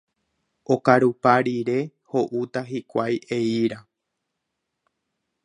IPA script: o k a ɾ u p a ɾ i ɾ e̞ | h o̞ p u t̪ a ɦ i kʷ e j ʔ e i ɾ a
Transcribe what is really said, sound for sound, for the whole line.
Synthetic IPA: o k a ɾ u p a ɾ i ɾ e̞ | h o̞ ʔ u t̪ a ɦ i kʷ a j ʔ e i ɾ a